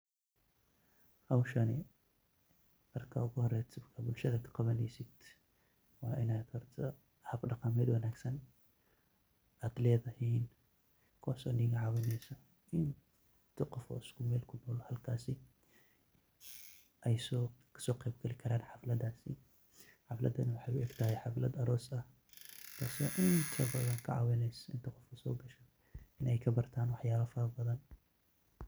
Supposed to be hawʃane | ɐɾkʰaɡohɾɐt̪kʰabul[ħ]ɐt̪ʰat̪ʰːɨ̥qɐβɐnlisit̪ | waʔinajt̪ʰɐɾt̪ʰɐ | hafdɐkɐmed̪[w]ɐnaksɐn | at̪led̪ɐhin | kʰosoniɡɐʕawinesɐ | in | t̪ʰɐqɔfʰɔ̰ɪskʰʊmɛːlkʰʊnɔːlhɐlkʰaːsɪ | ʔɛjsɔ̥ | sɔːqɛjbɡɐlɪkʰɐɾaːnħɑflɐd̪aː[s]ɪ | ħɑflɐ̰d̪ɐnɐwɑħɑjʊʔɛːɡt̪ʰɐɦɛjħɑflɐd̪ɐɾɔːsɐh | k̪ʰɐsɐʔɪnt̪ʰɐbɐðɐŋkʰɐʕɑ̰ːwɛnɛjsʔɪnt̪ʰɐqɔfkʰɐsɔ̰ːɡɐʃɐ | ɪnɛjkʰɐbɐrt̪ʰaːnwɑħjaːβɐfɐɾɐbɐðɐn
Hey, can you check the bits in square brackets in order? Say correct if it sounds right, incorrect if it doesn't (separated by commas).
incorrect, correct, correct